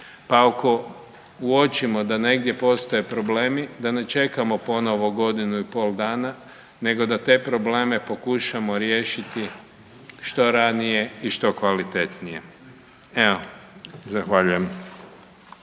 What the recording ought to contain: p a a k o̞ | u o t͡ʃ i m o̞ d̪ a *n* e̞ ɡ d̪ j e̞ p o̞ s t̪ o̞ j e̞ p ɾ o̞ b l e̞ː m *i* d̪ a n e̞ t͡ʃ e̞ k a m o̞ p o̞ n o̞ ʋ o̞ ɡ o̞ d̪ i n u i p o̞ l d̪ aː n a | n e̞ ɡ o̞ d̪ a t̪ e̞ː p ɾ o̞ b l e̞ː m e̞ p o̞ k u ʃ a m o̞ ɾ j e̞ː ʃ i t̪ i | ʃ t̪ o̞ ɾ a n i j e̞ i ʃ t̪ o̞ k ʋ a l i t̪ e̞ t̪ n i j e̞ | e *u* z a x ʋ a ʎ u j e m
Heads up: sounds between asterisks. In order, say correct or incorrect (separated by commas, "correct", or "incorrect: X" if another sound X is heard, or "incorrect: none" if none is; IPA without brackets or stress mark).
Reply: correct, correct, incorrect: o